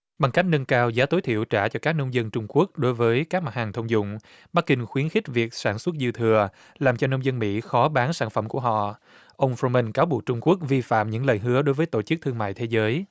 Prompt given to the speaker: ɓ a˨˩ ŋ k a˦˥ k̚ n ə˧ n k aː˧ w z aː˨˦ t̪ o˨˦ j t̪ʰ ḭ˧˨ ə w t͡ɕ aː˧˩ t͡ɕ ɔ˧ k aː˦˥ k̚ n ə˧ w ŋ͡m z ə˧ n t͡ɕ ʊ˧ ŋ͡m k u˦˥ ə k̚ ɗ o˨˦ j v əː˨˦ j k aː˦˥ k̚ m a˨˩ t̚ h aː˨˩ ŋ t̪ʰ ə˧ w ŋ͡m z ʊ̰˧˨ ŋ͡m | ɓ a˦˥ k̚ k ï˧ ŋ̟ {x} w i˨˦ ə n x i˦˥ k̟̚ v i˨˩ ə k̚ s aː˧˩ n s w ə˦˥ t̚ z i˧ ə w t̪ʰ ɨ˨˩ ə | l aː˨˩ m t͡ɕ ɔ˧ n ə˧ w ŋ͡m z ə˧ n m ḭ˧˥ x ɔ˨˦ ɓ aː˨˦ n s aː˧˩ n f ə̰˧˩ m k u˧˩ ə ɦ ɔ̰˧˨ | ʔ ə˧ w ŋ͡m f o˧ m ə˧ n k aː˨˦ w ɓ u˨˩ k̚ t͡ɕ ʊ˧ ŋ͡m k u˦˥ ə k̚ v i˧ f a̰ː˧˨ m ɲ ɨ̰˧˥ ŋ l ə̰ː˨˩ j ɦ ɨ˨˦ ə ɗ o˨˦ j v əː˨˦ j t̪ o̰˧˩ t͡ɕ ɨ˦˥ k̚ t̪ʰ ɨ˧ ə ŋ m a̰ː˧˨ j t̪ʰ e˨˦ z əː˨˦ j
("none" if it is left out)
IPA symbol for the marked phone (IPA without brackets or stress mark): x